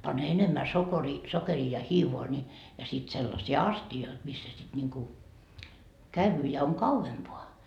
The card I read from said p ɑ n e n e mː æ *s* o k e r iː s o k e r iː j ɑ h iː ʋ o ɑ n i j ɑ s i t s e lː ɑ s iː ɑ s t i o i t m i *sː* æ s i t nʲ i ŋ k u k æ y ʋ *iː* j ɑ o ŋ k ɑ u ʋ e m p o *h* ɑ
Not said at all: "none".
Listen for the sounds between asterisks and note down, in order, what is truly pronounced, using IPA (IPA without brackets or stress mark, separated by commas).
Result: s, sː, yː, none